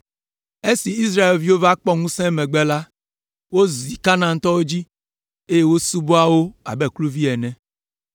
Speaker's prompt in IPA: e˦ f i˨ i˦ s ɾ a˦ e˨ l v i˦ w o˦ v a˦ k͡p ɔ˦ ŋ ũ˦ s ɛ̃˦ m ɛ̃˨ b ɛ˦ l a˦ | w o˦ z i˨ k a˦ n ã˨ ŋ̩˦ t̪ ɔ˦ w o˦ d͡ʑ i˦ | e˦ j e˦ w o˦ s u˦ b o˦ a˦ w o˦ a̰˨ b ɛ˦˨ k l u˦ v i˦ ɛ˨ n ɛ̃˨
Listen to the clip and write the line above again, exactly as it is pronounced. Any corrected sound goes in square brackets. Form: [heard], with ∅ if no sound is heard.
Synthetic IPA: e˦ [s] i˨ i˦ s ɾ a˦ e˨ l v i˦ w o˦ v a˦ k͡p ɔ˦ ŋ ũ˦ s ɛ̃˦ m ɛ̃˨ [ɡ͡b] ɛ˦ l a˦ | w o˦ z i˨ k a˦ n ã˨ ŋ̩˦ t̪ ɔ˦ w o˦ d͡ʑ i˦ | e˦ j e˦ w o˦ s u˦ b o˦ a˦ w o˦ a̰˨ b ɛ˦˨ k l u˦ v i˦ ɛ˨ n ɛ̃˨